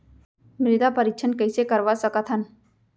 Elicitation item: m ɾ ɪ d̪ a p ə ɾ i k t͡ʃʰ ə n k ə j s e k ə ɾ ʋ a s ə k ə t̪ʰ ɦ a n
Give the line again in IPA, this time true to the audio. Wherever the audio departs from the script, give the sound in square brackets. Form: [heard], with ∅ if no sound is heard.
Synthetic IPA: m ɾ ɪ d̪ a p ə ɾ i k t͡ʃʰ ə n k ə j s e k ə ɾ ʋ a s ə k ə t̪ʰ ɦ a n